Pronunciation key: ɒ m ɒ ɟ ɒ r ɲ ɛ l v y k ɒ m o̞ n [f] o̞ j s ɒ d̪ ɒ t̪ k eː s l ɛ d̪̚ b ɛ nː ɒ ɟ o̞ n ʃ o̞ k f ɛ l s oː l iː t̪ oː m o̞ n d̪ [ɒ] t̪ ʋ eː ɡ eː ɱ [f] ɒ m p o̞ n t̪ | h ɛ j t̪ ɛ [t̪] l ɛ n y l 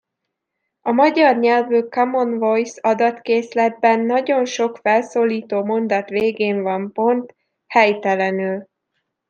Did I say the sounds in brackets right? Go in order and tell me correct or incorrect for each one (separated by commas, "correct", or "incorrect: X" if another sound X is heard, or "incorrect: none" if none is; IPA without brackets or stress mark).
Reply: incorrect: v, correct, incorrect: v, incorrect: none